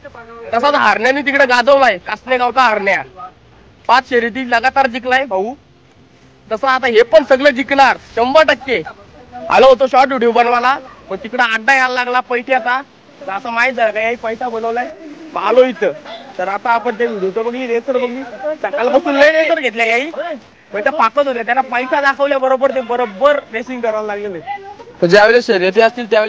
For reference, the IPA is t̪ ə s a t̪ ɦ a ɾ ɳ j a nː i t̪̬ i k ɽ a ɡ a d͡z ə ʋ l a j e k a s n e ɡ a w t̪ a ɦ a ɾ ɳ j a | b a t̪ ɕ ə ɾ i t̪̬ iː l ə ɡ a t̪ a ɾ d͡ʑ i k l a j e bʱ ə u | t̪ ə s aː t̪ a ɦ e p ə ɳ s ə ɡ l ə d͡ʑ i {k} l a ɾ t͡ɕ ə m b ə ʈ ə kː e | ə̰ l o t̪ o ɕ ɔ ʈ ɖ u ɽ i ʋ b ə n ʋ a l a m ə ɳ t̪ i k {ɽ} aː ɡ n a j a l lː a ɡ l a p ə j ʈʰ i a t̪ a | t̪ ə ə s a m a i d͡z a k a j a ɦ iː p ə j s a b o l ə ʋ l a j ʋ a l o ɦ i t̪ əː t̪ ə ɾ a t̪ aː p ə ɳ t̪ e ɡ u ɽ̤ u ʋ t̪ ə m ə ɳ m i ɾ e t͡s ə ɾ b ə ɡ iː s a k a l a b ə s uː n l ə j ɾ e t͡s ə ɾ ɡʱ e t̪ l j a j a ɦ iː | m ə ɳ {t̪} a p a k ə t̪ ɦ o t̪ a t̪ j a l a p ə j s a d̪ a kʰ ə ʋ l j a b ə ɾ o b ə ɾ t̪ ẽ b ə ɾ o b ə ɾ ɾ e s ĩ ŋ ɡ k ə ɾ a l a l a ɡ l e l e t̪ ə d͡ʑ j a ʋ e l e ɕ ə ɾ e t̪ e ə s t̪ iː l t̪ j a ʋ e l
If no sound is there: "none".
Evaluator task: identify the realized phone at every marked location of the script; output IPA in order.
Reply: k, ɽ, t̪

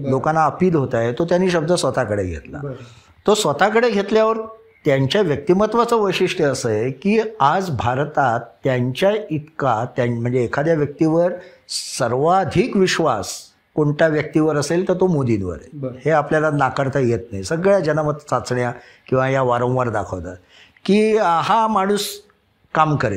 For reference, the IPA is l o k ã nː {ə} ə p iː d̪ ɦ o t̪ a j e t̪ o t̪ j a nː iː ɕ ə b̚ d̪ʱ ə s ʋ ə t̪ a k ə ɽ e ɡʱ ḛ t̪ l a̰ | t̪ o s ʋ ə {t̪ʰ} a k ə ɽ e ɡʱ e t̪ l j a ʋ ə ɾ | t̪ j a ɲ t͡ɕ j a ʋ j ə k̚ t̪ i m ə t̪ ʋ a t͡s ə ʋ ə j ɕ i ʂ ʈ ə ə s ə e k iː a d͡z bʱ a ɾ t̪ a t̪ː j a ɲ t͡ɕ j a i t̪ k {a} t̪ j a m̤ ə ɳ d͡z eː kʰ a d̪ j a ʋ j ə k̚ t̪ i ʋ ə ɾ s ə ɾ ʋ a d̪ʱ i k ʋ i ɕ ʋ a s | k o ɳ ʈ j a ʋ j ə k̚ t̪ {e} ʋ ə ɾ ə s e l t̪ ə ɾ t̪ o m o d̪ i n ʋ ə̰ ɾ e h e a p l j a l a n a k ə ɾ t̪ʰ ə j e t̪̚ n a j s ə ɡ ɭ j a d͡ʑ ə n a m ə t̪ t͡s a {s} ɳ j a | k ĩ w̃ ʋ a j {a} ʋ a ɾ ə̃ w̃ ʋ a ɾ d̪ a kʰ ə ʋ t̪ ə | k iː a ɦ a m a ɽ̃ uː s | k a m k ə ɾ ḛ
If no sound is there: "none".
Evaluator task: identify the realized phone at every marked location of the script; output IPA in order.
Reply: a, t̪, a, i, t͡s, a

